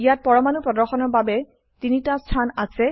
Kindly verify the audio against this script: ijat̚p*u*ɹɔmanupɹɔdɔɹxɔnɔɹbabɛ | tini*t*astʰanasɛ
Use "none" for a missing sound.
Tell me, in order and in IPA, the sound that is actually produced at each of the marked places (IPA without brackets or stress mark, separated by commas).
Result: ɔ, t